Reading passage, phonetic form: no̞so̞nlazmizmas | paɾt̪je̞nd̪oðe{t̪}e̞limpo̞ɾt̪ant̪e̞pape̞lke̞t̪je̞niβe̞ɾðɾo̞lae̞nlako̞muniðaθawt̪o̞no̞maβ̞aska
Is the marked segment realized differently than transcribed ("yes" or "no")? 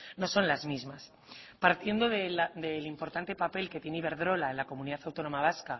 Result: yes